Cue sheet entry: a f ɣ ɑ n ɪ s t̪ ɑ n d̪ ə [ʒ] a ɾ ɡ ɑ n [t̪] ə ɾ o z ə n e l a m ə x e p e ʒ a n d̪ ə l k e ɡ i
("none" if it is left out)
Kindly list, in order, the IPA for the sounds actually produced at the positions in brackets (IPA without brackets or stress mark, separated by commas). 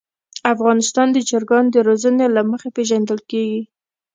d͡ʒ, d̪